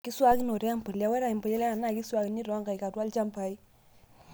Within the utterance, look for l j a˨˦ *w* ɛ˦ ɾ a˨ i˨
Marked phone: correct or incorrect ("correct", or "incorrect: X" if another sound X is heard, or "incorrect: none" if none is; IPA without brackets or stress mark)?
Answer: correct